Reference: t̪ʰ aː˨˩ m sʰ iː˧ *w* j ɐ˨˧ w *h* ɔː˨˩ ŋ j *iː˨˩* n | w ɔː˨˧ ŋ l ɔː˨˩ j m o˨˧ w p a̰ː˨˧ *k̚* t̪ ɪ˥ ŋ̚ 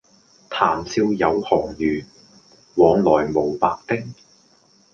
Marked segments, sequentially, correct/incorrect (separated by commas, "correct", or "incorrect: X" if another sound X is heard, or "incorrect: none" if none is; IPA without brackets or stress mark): correct, correct, incorrect: yː˨˩, correct